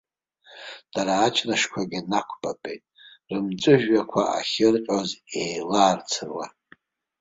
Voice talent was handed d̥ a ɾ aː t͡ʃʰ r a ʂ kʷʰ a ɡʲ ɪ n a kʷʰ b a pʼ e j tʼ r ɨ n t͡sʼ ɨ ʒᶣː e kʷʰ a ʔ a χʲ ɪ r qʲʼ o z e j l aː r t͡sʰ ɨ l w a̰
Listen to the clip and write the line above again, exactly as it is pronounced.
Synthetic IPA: d̥ a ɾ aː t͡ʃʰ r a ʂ kʷʰ a ɡʲ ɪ n a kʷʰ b a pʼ e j tʼ r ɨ m t͡sʼ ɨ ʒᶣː a kʷʰ a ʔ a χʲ ɪ r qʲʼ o z e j l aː r t͡sʰ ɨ r w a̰